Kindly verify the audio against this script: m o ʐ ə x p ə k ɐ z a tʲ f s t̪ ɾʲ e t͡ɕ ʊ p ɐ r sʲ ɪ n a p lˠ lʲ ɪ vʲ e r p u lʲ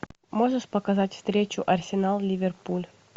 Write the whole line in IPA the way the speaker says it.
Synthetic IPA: m o ʐ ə ʂ p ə k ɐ z a tʲ f s t̪ ɾʲ e t͡ɕ ʊ ʔ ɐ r sʲ ɪ n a lˠ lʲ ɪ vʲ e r p u lʲ